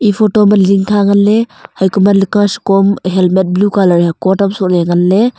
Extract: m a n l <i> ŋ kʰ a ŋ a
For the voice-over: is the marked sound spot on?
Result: yes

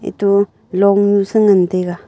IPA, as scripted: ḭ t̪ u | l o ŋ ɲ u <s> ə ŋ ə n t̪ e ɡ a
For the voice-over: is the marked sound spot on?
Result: yes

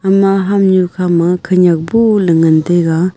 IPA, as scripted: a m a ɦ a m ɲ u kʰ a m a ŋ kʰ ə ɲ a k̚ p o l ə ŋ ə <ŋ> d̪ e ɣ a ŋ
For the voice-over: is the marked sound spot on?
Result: no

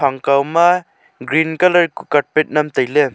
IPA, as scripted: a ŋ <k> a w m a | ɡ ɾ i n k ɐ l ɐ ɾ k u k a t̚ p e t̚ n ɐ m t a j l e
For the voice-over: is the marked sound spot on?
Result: yes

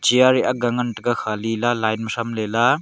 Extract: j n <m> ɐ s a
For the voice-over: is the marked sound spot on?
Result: yes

